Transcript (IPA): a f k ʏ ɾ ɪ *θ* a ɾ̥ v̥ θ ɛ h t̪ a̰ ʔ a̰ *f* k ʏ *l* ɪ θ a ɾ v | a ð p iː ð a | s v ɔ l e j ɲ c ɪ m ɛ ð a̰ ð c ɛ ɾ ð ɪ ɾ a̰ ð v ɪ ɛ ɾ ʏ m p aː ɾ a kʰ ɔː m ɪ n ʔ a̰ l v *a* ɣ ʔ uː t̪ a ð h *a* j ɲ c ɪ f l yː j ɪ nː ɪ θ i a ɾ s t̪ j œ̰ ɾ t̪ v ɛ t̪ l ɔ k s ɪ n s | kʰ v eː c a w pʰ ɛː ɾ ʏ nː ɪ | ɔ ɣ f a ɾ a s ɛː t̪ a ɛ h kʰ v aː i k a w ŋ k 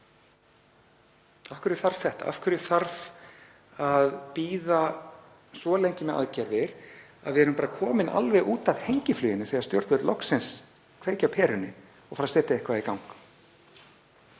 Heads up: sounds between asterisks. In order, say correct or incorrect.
correct, correct, incorrect: ɾ, incorrect: ɛ, incorrect: e

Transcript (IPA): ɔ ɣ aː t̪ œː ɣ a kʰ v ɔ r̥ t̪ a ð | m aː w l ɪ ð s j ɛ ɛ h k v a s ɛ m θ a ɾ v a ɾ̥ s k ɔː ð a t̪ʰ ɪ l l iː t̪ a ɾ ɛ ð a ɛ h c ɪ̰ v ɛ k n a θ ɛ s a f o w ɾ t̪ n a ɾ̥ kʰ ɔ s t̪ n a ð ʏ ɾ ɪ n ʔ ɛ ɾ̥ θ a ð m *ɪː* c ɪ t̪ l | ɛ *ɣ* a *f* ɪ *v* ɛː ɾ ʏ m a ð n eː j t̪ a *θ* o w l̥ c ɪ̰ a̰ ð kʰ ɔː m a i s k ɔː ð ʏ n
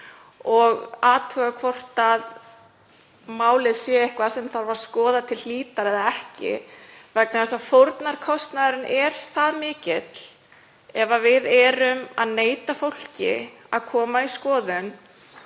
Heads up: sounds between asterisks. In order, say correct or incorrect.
correct, incorrect: v, incorrect: v, incorrect: ð, incorrect: f

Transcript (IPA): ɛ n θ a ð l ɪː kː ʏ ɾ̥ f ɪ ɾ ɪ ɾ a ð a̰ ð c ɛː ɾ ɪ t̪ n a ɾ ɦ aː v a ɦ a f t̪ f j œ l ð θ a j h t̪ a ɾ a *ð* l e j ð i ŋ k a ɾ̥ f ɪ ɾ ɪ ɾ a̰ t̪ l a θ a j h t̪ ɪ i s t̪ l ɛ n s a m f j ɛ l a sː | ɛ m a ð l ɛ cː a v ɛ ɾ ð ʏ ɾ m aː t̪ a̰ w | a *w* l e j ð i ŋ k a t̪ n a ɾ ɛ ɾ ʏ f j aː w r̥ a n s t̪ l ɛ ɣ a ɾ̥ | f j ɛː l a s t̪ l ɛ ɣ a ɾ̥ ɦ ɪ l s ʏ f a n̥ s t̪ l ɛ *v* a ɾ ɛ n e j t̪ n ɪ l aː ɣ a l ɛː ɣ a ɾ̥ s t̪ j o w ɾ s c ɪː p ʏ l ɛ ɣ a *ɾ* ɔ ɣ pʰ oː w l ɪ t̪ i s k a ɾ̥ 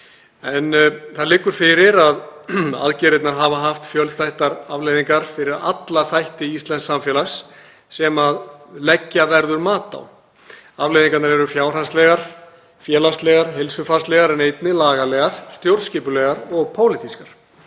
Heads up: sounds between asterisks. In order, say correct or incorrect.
incorrect: v, incorrect: v, incorrect: ɣ, correct

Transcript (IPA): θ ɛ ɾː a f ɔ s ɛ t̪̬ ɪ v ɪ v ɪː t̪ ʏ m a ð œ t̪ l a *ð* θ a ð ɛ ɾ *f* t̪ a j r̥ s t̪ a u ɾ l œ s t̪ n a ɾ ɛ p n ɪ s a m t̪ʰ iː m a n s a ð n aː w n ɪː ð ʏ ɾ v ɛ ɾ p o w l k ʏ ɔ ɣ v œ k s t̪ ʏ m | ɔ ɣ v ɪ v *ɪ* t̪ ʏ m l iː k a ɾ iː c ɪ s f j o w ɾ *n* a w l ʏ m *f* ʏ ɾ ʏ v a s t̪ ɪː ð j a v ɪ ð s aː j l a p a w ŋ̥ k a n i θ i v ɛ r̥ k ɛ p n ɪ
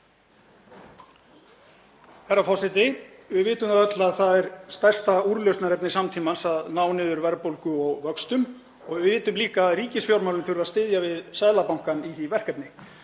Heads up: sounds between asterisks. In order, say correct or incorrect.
correct, incorrect: s, incorrect: ɪː, incorrect: m, incorrect: θ

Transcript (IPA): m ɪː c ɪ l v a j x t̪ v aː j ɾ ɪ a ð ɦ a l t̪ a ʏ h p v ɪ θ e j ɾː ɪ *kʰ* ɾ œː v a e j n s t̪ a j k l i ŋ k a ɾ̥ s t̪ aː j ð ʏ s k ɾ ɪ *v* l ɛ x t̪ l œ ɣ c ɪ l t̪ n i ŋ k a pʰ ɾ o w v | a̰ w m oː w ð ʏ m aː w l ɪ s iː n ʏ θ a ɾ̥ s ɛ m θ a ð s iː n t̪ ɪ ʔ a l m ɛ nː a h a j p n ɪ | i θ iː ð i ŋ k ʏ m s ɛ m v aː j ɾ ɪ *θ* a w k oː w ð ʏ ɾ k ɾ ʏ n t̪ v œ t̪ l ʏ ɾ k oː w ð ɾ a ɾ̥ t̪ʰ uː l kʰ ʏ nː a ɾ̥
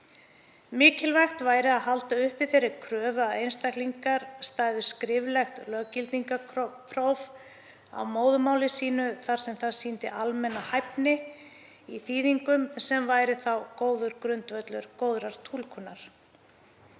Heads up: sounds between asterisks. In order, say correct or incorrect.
correct, correct, correct

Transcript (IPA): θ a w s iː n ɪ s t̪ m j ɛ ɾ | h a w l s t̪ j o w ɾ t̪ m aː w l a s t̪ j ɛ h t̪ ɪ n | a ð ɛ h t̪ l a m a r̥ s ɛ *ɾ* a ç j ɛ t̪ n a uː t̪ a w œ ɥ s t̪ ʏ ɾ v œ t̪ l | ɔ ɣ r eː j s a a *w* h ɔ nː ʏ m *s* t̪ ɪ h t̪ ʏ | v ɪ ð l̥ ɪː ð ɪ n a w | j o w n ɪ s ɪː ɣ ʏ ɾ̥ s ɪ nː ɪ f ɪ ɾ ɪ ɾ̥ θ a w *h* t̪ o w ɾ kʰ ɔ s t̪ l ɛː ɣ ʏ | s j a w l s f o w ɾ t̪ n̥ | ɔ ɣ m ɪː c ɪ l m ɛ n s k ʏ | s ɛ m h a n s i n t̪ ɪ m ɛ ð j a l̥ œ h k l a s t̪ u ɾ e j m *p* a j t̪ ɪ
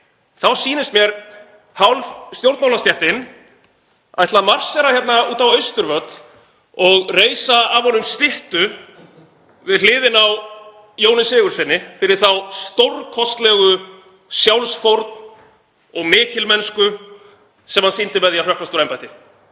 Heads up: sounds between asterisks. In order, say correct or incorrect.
correct, incorrect: v, correct, incorrect: s, correct

